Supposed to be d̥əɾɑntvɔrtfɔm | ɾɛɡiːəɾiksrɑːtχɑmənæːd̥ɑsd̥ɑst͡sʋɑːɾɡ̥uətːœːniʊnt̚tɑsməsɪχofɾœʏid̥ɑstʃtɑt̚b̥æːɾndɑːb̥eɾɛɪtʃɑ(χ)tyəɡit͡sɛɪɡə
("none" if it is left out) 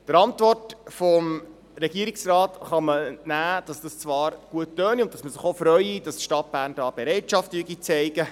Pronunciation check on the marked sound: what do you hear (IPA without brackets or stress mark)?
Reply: f